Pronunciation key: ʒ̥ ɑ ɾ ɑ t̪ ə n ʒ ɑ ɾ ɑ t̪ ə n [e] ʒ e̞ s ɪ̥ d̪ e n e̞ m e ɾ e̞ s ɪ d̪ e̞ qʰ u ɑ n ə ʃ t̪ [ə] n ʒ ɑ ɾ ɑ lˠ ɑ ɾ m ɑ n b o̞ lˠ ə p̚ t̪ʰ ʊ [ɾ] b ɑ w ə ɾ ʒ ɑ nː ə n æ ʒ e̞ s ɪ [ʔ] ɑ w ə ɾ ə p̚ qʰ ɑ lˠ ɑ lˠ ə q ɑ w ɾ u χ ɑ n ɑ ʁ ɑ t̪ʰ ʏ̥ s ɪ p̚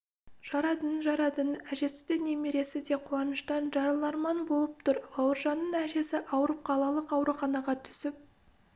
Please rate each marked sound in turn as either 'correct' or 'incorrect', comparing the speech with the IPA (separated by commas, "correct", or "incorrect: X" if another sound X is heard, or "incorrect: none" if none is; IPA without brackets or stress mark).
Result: incorrect: æ, incorrect: ɑ, correct, correct